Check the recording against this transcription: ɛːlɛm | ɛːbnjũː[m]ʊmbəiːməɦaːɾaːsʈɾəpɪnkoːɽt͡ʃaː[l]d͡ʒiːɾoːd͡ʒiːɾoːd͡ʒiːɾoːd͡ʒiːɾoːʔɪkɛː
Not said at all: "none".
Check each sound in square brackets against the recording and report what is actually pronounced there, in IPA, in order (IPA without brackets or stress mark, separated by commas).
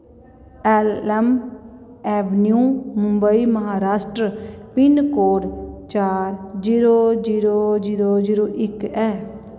m, ɾ